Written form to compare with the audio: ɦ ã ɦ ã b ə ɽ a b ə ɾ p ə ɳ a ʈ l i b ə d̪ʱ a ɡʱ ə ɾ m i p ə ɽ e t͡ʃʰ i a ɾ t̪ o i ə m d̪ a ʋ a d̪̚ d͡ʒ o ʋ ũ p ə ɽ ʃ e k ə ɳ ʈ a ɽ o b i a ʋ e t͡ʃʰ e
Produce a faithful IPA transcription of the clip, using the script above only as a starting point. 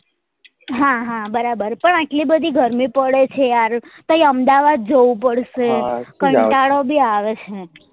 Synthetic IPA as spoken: ɦ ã ɦ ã b ə ɾ a b ə ɾ p ə ɳ a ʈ l i b ə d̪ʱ i ɡʱ ə ɾ m i p ə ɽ e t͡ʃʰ e a ɾ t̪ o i ə m d̪ a ʋ a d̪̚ d͡ʒ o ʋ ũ p ə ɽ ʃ e k ə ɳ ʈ a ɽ o b i a ʋ e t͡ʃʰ e